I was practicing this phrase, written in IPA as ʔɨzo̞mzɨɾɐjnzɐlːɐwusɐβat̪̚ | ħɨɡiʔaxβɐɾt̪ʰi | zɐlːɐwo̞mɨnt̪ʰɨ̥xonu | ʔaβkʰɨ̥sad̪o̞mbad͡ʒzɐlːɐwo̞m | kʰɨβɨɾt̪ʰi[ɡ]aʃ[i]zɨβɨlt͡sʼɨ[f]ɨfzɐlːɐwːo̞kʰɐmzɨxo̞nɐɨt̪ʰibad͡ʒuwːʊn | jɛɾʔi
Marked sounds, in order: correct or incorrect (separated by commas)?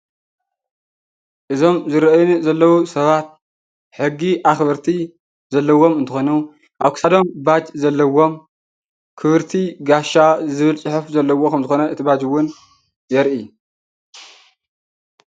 correct, incorrect, incorrect